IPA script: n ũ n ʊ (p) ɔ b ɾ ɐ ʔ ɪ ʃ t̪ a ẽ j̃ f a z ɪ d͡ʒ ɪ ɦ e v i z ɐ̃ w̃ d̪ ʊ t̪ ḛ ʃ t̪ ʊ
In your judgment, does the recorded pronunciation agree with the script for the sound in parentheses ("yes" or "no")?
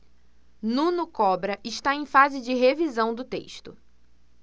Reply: no